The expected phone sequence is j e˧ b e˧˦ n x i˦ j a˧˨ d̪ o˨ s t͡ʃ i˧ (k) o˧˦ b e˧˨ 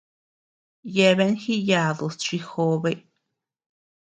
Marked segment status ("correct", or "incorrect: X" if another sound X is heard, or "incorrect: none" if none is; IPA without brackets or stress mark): incorrect: x